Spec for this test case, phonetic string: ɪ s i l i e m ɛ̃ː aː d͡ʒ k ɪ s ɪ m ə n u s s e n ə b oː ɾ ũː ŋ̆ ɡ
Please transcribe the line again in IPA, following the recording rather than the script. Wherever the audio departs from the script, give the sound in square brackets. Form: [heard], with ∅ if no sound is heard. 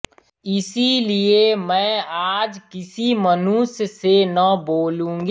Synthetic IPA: ɪ s i l i e m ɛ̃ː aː d͡ʒ k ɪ s [i] m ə n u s s e n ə b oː [l] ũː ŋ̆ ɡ